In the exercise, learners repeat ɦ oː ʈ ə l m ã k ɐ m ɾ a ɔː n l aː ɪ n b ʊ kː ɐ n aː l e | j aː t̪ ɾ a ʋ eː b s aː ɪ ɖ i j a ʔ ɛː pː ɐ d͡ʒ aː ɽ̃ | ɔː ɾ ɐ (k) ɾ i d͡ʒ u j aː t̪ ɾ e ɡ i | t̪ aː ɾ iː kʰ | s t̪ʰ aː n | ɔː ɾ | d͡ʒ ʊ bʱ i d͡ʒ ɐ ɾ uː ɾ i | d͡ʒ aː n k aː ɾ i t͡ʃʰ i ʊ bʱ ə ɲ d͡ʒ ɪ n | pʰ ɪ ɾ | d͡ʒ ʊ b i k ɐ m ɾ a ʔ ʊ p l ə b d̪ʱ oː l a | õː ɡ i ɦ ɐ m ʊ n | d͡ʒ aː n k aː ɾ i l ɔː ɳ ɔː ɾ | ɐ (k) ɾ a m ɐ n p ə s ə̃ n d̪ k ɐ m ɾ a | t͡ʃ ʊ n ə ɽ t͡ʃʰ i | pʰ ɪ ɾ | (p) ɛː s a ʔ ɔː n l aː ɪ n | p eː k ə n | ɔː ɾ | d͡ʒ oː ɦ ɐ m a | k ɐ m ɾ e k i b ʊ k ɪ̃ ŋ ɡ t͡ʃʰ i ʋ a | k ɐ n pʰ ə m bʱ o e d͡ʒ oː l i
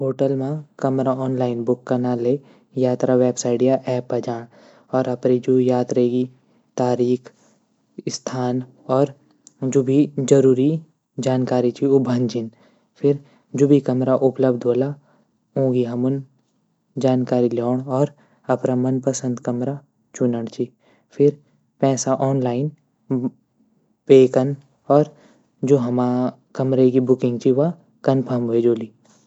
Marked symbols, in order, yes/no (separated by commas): no, no, yes